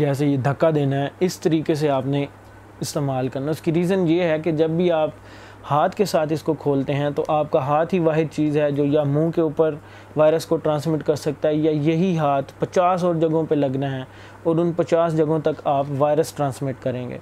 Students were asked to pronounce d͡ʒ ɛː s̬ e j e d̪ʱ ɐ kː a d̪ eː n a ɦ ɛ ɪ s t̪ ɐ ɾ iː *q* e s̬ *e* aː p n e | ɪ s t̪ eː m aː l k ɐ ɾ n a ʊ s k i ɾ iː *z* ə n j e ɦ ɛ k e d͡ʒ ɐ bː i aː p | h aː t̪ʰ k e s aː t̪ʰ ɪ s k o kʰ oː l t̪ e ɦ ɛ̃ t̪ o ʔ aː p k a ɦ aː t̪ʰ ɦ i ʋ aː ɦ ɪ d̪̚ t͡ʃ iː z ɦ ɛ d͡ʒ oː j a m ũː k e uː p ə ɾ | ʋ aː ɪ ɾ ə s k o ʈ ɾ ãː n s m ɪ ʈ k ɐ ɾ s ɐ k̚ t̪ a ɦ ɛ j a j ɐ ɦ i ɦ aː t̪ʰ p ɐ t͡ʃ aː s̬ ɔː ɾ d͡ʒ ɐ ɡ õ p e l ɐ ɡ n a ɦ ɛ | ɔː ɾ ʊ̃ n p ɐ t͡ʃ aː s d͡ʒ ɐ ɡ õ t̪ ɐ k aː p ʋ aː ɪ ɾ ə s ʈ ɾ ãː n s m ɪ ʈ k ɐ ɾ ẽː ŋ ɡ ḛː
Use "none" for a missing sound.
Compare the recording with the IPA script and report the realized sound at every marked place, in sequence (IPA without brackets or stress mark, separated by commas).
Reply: k, e, z